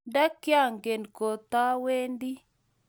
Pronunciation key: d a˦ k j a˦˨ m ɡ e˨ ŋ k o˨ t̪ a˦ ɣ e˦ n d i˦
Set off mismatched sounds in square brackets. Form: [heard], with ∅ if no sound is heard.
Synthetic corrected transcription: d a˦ k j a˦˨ [ŋ] ɡ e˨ [n] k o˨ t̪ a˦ [w] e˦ n d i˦